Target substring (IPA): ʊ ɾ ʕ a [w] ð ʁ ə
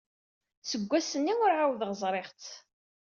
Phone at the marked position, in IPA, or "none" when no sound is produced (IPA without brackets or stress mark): w